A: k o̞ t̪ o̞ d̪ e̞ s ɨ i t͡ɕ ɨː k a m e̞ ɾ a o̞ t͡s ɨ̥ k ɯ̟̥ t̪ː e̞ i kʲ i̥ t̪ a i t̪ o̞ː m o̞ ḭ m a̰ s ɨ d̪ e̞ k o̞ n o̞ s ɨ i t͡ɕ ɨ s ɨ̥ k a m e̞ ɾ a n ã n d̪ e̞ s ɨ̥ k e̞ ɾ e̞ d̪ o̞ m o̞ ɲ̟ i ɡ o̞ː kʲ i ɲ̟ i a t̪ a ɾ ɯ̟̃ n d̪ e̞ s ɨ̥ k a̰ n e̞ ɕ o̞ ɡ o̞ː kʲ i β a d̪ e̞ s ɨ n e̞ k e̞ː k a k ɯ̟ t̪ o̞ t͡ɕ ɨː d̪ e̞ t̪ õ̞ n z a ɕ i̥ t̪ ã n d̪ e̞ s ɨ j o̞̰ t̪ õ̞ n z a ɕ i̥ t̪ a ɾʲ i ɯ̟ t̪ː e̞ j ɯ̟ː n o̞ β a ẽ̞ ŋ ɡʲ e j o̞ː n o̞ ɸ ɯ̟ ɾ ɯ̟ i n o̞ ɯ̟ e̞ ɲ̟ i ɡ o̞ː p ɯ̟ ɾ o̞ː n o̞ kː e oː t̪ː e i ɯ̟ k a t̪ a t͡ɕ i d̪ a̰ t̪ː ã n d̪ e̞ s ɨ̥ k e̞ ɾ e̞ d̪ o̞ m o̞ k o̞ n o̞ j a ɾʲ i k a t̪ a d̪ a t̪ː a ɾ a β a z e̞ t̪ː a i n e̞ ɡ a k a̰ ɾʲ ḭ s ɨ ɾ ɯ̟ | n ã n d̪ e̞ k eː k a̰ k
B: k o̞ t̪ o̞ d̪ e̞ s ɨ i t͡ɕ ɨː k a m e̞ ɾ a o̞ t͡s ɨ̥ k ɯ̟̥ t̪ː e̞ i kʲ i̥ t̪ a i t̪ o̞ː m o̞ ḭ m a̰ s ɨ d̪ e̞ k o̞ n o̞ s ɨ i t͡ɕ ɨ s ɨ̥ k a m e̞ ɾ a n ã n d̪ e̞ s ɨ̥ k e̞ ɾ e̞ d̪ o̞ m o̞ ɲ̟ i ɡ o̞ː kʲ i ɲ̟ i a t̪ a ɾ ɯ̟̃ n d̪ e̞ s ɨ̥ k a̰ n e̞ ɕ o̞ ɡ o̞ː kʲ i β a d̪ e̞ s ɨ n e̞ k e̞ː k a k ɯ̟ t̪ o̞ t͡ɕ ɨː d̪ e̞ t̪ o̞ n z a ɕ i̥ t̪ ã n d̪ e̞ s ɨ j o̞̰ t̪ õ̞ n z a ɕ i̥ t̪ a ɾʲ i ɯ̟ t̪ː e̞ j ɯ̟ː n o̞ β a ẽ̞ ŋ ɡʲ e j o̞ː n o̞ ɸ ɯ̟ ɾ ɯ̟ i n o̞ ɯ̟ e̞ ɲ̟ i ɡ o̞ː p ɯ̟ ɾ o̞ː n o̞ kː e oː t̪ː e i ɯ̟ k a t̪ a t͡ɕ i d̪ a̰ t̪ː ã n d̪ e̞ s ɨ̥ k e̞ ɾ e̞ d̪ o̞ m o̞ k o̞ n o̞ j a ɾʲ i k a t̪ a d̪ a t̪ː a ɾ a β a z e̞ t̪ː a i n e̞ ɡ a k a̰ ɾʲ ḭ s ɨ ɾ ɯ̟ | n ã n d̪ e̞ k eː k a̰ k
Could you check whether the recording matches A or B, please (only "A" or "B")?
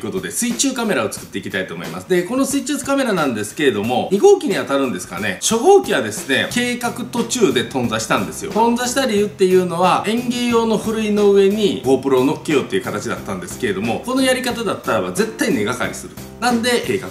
A